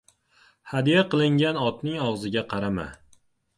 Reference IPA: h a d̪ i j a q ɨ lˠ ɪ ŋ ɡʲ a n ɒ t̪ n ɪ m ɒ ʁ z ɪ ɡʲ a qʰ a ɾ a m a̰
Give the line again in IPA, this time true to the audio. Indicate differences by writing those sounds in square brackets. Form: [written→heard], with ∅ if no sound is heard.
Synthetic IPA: h a d̪ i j a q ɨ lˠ ɪ ŋ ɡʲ a n ɒ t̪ n ɪ [m→ŋ] ɒ ʁ z ɪ ɡʲ a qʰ [a→ɑ] ɾ a m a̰

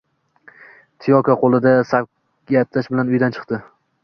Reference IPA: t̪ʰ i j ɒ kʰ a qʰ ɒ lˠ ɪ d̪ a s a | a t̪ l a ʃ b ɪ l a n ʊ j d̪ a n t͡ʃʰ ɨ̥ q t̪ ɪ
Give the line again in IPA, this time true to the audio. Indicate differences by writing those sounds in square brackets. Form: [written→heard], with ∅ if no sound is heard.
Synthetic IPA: t̪ʰ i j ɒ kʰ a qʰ [ɒ→o] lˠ ɪ d̪ a s a | a t̪ l a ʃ b ɪ l a n ʊ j d̪ a n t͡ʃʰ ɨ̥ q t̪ ɪ

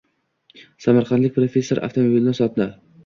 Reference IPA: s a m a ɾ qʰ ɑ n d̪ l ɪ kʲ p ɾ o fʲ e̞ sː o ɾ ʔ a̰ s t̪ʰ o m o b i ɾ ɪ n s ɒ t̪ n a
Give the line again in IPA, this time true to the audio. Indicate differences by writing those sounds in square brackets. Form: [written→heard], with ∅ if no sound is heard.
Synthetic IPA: s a m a ɾ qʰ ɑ n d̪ l ɪ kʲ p ɾ o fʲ e̞ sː o ɾ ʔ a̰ [s→f] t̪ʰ o m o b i [ɾ→l] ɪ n s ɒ t̪ n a

